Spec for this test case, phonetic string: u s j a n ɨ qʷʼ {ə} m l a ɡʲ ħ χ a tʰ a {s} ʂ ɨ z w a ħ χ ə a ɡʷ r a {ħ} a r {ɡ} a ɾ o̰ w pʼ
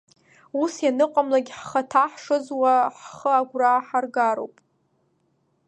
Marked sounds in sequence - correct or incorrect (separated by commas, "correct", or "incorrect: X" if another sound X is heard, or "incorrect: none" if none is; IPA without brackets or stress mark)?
incorrect: a, incorrect: ħ, correct, correct